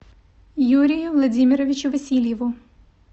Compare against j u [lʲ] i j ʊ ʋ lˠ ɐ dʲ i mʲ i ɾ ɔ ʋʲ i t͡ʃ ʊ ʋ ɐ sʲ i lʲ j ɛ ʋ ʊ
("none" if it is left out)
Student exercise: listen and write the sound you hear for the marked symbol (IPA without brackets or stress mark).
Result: ɾʲ